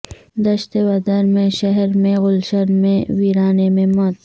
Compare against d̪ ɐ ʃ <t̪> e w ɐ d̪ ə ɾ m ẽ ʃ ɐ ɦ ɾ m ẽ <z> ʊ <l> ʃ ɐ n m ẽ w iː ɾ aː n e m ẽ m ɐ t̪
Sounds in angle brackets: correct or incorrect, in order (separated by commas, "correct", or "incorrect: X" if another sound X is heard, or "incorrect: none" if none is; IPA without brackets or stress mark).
correct, incorrect: ɣ, correct